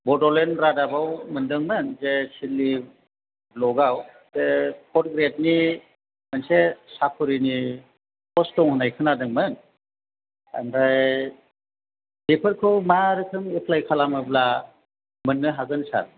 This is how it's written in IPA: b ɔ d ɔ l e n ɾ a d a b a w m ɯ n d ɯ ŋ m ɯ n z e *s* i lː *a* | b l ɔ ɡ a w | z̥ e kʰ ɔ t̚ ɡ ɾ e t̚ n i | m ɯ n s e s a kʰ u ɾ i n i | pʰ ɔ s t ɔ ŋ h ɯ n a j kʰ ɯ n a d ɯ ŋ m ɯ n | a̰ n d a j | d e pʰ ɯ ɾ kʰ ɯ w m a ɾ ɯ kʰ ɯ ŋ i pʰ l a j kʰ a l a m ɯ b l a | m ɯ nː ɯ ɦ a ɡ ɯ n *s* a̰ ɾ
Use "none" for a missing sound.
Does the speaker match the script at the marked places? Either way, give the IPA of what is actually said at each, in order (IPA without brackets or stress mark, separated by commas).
s, i, s